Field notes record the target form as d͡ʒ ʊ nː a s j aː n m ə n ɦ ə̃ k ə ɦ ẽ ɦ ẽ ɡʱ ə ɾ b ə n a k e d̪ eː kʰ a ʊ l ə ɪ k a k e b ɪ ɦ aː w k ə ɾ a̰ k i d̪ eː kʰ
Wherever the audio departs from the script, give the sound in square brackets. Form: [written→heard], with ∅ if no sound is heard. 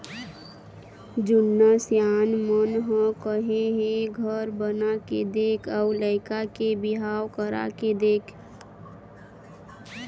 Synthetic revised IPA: d͡ʒ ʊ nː a s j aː n m ə n ɦ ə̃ k ə ɦ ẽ ɦ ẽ ɡʱ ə ɾ b ə n a k e d̪ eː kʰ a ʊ l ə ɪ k a k e b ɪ ɦ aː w k ə ɾ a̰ k [i→e] d̪ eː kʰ